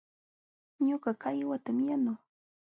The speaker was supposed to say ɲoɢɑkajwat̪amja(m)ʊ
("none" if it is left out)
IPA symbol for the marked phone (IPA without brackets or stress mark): n